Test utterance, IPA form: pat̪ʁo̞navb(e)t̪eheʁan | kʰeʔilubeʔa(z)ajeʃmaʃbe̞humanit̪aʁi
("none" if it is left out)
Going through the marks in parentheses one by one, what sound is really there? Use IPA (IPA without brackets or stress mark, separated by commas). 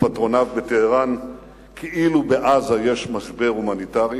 e, z